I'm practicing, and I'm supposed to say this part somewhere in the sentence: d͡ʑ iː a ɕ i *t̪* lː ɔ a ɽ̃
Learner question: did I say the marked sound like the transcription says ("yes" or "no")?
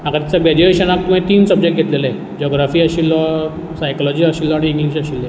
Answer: no